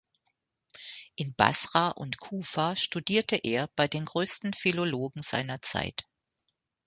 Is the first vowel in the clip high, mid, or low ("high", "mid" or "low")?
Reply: high